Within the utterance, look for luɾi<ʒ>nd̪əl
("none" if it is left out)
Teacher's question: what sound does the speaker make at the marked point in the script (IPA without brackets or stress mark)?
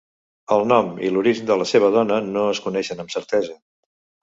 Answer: ʒ